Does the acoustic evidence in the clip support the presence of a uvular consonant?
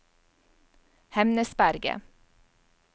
no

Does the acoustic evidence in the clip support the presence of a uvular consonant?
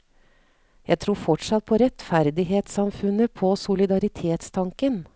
no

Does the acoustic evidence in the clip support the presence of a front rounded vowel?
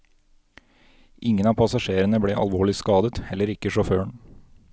yes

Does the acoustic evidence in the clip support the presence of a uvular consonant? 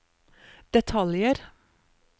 no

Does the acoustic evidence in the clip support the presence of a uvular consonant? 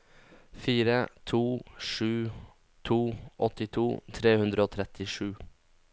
no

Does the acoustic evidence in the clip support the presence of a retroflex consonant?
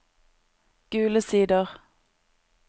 no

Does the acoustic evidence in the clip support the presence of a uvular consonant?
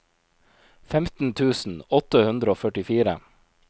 no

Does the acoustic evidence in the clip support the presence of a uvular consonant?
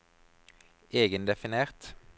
yes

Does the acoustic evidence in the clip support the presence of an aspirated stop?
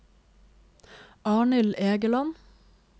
no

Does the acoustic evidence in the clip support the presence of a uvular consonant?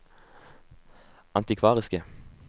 yes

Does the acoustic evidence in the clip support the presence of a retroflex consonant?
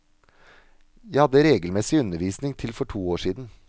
yes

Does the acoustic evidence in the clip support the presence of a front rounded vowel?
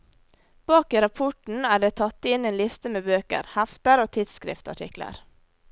yes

